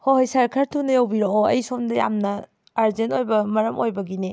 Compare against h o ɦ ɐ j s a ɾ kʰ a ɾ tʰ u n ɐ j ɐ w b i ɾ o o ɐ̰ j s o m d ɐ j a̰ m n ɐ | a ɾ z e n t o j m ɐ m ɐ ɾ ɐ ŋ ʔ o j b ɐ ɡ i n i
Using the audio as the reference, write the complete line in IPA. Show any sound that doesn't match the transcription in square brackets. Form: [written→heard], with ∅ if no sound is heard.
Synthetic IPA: h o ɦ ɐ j s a ɾ kʰ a ɾ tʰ u n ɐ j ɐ w b i ɾ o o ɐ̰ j s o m d ɐ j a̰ m n ɐ | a ɾ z e n t o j [m→b] ɐ m ɐ ɾ ɐ [ŋ→m] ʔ o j b ɐ ɡ i n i